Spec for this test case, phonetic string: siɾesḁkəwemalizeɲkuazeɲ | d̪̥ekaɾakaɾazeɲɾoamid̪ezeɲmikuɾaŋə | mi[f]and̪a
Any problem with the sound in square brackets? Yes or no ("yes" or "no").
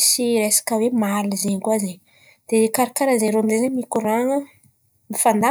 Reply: no